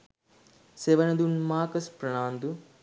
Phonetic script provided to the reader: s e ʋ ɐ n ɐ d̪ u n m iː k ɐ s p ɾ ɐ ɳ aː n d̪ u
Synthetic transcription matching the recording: s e ʋ ɐ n ɐ d̪ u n m aː k ɐ s p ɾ ɐ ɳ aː n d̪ u